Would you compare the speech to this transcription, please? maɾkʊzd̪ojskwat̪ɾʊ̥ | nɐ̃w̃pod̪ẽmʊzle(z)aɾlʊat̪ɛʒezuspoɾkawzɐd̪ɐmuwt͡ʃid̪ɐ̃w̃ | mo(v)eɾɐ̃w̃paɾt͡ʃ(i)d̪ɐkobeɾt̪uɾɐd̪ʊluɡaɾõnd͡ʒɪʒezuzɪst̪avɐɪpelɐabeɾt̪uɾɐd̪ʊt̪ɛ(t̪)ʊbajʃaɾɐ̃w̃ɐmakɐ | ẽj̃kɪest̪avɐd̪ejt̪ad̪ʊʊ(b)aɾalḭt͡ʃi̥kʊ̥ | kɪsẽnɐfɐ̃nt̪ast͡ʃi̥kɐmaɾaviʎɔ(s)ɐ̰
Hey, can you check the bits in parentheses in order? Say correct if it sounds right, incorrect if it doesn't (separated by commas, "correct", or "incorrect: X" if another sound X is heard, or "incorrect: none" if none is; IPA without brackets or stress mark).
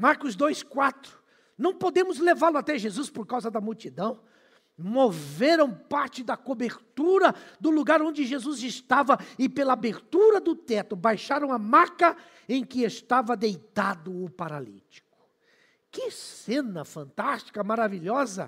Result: incorrect: v, correct, incorrect: ɪ, correct, incorrect: p, incorrect: z